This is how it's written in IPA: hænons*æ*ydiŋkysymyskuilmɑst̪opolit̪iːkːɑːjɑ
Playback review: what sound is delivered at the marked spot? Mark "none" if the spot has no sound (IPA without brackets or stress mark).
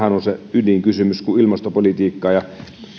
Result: e